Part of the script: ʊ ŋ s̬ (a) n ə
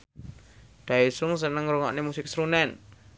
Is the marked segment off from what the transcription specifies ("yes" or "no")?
yes